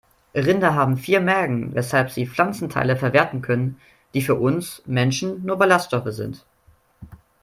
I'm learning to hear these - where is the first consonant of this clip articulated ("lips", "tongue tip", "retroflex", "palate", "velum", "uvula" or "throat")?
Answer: uvula